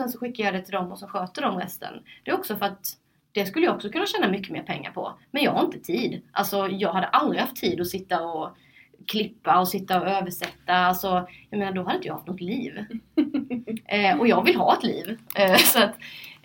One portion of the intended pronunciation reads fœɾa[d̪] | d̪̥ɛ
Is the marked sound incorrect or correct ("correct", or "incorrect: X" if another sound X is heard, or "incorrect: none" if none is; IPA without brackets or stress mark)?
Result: incorrect: t̪